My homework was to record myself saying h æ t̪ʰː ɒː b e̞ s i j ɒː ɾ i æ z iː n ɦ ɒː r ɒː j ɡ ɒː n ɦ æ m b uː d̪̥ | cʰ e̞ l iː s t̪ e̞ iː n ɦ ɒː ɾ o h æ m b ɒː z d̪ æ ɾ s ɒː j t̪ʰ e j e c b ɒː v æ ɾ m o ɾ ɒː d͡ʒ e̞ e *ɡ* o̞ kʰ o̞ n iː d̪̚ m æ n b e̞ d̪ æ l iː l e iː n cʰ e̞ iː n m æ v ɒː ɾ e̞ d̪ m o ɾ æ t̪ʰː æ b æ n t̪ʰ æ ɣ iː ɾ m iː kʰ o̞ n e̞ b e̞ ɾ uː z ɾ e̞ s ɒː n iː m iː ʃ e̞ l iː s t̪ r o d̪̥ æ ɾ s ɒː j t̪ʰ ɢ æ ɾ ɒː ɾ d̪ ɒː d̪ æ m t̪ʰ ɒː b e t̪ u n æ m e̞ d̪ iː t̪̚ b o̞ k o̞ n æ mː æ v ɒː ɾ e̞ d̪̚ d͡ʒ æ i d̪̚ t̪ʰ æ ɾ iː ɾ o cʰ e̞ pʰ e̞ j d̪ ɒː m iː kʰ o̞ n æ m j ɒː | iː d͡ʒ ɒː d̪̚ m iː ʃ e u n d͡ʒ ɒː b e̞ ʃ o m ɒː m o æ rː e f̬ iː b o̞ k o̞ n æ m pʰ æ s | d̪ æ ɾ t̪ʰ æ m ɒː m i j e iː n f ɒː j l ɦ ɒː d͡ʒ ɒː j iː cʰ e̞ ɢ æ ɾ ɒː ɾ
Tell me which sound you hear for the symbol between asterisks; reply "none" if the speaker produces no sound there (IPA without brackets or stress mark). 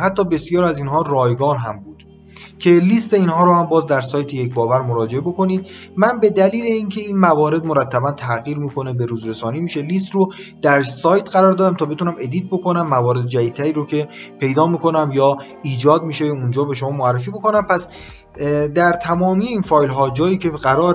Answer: b